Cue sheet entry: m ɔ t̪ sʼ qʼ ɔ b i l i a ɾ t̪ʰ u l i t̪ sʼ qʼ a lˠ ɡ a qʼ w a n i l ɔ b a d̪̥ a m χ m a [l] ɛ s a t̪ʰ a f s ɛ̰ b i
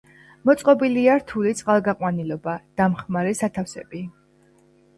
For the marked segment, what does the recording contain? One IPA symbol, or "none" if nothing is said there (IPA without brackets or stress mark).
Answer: ɾ